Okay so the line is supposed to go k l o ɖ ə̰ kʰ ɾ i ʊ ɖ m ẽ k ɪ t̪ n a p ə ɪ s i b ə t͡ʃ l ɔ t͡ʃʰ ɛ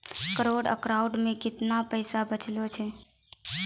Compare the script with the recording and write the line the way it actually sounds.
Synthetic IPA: k ɾ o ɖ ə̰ k ɾ a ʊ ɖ m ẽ k ɪ t̪ n a p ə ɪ s a b ə t͡ʃ l o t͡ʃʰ ɛ

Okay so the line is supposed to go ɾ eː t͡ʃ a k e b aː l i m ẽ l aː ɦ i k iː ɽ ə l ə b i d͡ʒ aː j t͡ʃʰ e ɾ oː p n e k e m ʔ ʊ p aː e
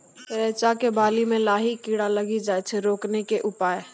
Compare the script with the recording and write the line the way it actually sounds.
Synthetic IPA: ɾ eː t͡ʃ a k e b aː l i m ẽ l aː ɦ i k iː ɽ a l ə ɡ i d͡ʒ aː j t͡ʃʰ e ɾ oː k n e k e ʔ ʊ p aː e

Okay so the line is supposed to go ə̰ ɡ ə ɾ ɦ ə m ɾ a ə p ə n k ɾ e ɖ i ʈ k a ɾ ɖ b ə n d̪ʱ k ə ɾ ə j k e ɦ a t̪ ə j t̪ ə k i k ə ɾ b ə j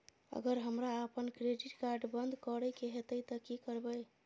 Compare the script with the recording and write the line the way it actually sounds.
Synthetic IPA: ə̰ ɡ ə ɾ ɦ ə m ɾ a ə p ə n k ɾ e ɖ i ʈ k a ɾ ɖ b ə n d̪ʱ k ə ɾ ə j k e ɦ e t̪ ə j t̪ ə k i k ə ɾ b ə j

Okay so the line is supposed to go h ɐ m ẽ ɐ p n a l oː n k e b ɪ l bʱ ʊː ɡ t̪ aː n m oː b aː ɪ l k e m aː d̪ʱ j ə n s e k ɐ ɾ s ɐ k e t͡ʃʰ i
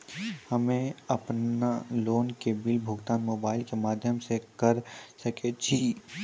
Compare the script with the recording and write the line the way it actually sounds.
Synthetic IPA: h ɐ m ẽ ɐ p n a l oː n k e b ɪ l bʱ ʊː ɡ t̪ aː n m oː b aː ɪ l k e m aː d̪ʱ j ə m s e k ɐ ɾ s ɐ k e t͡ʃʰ i

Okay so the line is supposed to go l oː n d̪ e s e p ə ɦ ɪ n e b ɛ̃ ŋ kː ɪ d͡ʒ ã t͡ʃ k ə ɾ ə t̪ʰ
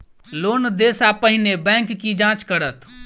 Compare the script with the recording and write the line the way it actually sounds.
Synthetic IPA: l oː n d̪ e s a p ə ɦ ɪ n e b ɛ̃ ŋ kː i d͡ʒ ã t͡ʃ k ə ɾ ə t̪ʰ

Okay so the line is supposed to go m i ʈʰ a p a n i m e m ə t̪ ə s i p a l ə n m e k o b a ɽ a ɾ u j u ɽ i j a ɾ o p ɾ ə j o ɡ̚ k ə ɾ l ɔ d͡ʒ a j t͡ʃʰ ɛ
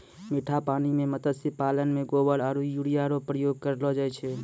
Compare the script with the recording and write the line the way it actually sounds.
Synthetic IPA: m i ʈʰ a p a n i m e m ə t̪ ə s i p a l ə n m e ɡ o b ə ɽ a ɾ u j u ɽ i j a ɾ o p ɾ ə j o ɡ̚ k ə ɾ l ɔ d͡ʒ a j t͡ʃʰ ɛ

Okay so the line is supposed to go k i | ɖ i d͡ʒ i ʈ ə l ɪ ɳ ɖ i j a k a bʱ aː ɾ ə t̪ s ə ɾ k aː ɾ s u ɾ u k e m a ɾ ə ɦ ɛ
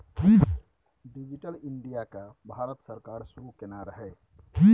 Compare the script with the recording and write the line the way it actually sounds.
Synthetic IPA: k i | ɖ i d͡ʒ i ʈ ə l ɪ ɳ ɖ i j a k a bʱ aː ɾ ə t̪ s ə ɾ k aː ɾ s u ɾ u k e n a ɾ ə ɦ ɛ

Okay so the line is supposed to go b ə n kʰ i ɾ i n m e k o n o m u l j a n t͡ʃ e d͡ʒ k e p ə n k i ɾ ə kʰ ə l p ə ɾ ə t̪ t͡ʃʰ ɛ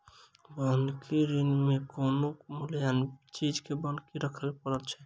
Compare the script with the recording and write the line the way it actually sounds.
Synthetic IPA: b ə n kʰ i ɾ i n m e k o n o m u l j a n t͡ʃ i d͡ʒ k e b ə n k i ɾ ə kʰ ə l p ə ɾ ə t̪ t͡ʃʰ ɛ

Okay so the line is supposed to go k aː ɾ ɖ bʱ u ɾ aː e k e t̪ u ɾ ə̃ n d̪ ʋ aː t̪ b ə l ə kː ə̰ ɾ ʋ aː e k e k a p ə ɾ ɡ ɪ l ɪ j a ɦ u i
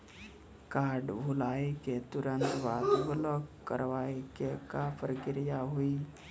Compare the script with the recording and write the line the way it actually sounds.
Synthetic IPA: k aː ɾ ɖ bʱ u l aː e k e t̪ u ɾ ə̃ n t̪ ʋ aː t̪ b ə l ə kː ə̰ ɾ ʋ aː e k e k a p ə ɾ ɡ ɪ ɾ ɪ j a ɦ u i

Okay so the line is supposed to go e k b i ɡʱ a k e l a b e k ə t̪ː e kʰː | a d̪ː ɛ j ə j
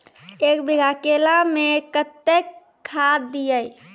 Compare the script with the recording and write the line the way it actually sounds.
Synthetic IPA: e k b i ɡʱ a k e l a m e k ə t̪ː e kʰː | a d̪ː i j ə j

